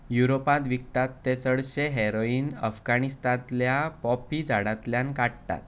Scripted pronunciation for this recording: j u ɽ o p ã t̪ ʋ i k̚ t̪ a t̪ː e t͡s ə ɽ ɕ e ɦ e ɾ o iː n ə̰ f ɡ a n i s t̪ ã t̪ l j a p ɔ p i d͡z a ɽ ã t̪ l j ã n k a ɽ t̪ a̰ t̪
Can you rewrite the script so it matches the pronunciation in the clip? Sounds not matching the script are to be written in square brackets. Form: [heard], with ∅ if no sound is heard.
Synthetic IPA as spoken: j u [ɾ] o p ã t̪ ʋ i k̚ t̪ a t̪ː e t͡s ə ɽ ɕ e ɦ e ɾ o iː n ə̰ f ɡ a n i s t̪ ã t̪ l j a p ɔ p i d͡z a ɽ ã t̪ l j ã n k a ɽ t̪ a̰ t̪